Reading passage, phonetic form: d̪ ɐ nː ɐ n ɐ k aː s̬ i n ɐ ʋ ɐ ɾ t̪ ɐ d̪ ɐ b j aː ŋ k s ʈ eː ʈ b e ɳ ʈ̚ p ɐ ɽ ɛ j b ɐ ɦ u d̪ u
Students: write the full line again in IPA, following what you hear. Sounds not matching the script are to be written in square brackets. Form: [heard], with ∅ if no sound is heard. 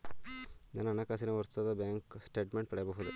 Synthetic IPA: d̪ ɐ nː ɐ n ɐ k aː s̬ i n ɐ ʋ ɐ ɾ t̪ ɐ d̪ ɐ b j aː ŋ k s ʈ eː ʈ [m] e ɳ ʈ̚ p ɐ ɽ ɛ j b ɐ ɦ u d̪ u